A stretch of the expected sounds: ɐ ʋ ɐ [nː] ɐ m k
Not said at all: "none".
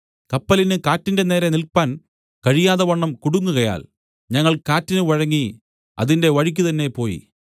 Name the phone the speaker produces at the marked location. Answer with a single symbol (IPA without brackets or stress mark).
ɳː